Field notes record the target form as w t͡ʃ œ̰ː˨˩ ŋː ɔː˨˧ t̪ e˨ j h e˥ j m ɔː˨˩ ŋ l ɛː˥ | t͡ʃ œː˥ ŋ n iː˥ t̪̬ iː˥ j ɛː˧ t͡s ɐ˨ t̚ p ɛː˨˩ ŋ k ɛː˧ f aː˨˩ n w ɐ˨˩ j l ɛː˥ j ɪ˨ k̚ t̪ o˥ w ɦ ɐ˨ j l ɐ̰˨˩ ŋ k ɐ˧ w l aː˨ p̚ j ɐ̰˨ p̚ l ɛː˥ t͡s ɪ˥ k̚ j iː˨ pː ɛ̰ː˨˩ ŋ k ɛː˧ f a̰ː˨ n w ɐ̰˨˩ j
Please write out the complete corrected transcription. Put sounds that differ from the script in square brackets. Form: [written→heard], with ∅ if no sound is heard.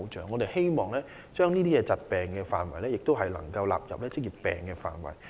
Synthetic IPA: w t͡ʃ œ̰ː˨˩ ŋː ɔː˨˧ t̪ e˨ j h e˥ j m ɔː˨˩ ŋ l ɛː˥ | t͡ʃ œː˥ ŋ n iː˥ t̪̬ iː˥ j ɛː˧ t͡s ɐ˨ t̚ p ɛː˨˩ ŋ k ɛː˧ f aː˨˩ n w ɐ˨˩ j l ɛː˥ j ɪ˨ k̚ t̪ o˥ w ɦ ɐ˨ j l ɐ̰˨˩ ŋ k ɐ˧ w l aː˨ p̚ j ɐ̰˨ p̚ l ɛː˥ t͡s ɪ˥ k̚ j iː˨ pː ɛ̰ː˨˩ ŋ k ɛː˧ f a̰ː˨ n w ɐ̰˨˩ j